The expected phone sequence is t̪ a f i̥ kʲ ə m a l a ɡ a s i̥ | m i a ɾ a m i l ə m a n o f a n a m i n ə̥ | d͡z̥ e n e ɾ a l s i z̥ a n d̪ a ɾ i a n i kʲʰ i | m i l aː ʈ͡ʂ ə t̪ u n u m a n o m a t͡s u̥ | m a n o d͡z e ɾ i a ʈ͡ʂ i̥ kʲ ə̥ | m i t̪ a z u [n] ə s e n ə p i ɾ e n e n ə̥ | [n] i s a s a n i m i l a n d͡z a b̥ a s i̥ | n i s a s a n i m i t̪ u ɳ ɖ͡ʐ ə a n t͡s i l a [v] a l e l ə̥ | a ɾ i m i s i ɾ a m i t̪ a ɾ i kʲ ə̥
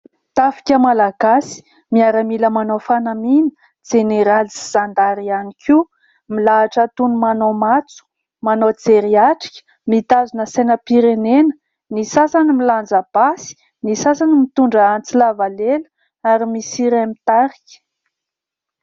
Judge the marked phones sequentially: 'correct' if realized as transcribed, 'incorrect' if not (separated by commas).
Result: correct, correct, correct